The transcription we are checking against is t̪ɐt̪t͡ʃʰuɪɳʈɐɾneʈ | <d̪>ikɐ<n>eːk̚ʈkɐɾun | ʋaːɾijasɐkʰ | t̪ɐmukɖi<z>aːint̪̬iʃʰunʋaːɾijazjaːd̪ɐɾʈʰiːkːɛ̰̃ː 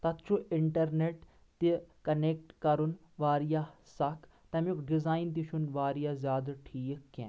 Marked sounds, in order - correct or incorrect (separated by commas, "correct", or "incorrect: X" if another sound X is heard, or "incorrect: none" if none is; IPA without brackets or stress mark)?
incorrect: t̪, correct, correct